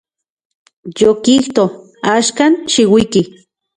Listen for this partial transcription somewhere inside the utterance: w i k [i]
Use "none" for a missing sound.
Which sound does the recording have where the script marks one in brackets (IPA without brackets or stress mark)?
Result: i